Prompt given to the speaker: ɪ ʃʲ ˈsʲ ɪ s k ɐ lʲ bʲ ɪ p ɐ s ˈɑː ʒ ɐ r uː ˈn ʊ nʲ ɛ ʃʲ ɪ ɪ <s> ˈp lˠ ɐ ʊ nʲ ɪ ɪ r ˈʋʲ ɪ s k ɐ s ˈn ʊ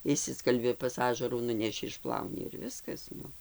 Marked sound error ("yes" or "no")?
yes